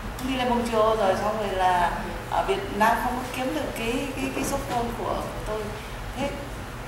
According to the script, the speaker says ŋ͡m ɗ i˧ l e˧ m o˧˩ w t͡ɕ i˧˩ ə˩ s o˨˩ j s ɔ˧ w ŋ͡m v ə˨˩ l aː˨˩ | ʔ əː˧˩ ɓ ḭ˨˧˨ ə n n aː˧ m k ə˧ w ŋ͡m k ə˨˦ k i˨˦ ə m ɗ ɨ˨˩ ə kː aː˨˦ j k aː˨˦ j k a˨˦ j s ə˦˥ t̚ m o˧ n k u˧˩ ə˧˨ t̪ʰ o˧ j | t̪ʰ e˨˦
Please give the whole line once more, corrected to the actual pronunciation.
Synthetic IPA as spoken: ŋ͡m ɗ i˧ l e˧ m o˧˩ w t͡ɕ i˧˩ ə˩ z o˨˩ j s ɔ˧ w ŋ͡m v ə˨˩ l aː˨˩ | ʔ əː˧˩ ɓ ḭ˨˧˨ ə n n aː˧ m x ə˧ w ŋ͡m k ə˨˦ k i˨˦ ə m ɗ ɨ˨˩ ə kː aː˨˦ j k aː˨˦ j k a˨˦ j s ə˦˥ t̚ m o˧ n k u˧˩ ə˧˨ t̪ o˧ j | t̪ʰ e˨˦